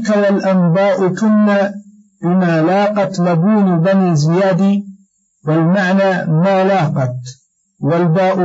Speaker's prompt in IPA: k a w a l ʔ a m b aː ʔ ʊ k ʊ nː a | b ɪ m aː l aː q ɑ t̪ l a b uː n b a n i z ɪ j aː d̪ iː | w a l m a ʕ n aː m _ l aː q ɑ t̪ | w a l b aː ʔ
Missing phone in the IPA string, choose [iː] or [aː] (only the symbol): aː